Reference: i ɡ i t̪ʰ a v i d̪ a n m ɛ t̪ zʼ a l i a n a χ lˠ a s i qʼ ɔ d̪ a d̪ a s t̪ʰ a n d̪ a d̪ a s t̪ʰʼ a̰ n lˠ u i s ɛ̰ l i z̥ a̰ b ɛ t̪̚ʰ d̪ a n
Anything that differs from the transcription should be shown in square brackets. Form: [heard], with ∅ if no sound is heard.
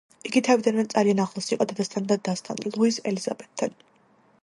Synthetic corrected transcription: i ɡ i t̪ʰ a v i d̪ a n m ɛ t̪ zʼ a l i a n a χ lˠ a s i qʼ ɔ d̪ a d̪ a s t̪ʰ a n d̪ a d̪ a s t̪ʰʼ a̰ n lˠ u i s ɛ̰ l i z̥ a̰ b ɛ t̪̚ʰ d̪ a n